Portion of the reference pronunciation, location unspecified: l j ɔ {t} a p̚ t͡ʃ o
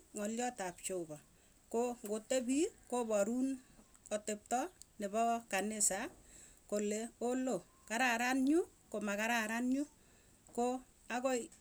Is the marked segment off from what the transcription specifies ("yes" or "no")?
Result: no